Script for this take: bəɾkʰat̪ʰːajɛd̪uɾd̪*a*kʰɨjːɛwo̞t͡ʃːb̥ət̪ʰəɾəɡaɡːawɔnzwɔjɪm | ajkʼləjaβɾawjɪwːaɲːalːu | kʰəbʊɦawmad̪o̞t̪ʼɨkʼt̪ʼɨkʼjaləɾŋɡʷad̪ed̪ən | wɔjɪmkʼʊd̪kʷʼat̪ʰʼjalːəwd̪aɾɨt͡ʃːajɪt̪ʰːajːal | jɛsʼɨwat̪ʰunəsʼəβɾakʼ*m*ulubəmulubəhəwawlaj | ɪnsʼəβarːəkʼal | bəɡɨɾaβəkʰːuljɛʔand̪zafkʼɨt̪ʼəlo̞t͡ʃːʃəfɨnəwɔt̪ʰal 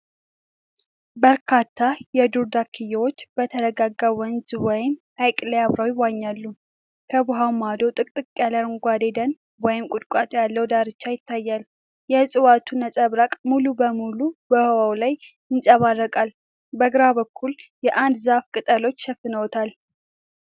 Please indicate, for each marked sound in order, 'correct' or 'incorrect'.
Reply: correct, correct

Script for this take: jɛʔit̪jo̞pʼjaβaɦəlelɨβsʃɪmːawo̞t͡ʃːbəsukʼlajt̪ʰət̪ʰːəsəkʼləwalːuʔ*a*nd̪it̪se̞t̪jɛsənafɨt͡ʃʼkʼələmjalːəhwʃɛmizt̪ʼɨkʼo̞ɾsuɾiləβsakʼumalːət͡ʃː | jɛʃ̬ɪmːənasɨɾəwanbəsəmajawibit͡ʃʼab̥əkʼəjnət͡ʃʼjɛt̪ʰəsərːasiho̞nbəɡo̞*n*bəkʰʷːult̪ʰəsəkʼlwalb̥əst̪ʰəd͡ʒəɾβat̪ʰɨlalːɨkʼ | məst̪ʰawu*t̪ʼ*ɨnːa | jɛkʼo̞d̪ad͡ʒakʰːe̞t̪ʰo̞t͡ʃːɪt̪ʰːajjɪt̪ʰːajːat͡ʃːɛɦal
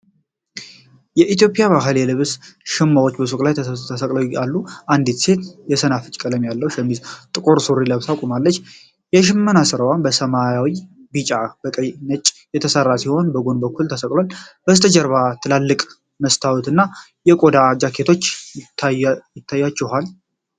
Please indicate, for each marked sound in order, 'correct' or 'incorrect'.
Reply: correct, correct, incorrect

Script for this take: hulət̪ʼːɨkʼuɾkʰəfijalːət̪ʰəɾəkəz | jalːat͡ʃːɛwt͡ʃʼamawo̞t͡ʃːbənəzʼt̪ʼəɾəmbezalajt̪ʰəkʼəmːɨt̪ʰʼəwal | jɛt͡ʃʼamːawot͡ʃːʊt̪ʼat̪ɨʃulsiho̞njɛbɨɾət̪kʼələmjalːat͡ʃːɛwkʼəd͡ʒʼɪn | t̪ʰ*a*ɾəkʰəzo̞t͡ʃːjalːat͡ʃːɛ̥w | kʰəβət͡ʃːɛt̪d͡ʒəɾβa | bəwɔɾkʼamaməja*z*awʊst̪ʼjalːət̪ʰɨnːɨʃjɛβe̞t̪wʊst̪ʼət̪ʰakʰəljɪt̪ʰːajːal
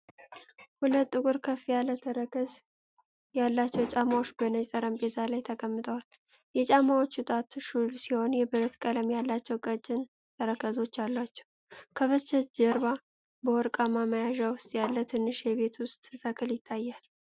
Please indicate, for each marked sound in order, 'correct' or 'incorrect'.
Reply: incorrect, incorrect

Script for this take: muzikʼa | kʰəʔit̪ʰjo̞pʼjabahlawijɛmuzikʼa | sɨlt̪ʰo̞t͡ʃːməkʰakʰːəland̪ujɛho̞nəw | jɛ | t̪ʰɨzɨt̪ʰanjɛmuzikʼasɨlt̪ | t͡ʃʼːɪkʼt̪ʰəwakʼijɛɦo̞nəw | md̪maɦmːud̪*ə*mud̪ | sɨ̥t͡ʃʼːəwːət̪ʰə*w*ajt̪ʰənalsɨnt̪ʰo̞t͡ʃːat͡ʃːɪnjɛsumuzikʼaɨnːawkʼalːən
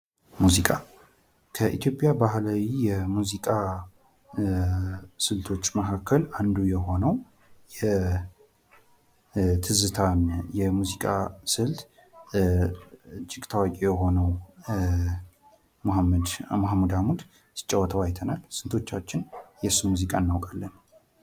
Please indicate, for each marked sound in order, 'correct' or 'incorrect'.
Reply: incorrect, correct

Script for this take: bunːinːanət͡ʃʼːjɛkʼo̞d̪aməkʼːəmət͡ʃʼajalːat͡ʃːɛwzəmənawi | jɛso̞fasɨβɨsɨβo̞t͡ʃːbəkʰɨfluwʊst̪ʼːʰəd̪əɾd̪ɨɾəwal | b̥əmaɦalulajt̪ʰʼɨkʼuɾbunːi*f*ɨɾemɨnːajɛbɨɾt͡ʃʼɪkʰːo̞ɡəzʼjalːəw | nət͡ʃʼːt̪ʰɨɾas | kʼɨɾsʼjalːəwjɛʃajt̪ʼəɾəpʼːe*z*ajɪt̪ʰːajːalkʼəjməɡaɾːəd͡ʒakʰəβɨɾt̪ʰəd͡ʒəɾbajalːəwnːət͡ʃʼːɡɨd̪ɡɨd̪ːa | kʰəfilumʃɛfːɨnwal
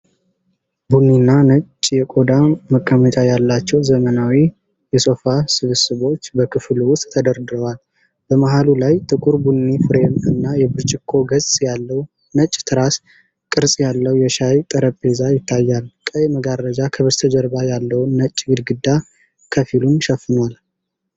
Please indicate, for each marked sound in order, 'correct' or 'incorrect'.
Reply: correct, correct

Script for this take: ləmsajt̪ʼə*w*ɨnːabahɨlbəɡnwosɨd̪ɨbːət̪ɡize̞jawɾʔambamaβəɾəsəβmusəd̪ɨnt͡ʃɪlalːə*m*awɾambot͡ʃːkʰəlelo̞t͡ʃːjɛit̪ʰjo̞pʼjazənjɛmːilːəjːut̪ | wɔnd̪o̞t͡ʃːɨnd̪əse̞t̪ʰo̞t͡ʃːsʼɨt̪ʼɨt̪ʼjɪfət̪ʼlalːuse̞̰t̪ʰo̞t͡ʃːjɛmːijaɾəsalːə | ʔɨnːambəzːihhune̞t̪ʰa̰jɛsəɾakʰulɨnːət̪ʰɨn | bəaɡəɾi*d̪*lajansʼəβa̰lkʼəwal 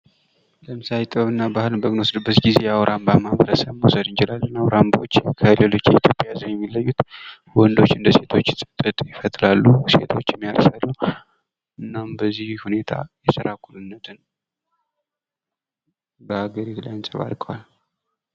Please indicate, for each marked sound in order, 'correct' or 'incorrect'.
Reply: incorrect, incorrect, incorrect

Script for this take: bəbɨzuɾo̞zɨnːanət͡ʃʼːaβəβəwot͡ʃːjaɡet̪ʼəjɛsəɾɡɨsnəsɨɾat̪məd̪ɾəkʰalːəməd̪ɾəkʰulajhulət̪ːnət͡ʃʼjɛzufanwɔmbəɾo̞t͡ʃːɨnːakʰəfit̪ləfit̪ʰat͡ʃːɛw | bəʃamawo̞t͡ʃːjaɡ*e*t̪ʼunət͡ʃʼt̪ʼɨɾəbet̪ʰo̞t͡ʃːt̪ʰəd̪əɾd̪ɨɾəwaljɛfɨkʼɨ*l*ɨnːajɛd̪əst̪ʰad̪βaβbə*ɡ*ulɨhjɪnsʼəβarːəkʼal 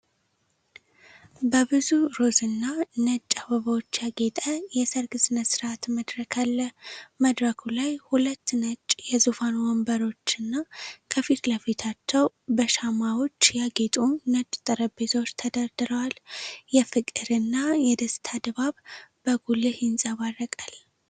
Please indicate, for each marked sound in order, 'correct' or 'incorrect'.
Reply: correct, incorrect, correct

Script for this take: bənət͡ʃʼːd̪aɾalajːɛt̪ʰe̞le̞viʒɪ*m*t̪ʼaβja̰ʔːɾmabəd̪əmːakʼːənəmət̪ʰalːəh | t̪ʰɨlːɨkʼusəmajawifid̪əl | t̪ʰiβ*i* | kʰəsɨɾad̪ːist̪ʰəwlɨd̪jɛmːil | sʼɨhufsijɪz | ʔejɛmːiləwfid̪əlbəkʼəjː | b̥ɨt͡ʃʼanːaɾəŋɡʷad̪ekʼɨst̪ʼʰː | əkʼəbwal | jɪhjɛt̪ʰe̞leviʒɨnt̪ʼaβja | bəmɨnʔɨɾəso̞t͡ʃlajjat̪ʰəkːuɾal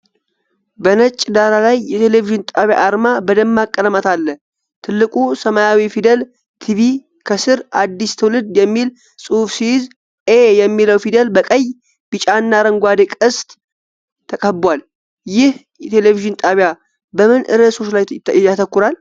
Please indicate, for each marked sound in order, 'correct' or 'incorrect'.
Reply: incorrect, correct

